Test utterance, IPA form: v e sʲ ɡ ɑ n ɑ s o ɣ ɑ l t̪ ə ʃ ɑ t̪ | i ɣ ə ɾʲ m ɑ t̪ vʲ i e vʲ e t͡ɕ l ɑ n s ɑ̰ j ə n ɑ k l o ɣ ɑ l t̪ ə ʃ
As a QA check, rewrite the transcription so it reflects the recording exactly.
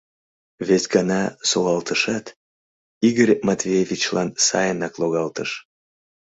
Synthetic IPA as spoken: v e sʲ ɡ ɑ n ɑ s o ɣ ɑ l t̪ ə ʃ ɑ t̪ | i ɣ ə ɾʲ m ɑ t̪ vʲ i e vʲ i t͡ɕ l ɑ n s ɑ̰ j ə n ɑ k l o ɣ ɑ l t̪ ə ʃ